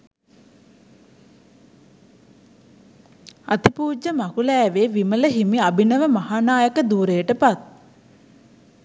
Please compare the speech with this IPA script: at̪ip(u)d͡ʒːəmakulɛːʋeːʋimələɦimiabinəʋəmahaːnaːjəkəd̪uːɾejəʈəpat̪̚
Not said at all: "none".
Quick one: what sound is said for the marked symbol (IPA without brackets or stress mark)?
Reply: uː